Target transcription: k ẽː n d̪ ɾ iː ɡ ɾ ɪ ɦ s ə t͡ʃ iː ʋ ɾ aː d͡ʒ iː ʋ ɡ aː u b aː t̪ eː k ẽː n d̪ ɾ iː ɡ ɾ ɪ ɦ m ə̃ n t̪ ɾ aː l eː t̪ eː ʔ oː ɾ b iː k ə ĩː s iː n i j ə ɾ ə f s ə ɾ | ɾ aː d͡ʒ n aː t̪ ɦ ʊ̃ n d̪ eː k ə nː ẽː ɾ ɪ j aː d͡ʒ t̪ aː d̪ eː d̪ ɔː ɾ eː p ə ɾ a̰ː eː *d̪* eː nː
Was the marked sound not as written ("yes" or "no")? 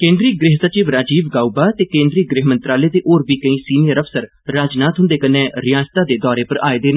no